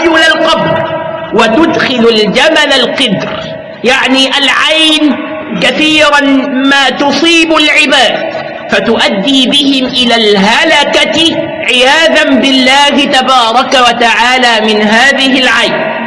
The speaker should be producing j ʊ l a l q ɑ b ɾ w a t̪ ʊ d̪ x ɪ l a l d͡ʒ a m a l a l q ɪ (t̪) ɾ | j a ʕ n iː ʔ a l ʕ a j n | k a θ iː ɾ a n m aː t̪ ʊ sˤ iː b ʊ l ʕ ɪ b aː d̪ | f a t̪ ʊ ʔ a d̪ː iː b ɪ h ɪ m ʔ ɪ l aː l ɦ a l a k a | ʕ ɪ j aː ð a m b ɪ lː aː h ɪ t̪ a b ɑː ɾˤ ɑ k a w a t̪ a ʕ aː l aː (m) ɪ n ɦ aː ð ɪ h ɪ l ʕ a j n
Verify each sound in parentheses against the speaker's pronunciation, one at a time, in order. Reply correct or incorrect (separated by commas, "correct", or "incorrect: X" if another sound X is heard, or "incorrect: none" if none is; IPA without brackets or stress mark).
incorrect: d̪, correct